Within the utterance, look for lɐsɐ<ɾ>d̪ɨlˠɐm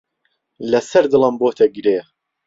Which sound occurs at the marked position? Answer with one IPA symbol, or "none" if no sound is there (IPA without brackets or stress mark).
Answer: ɾ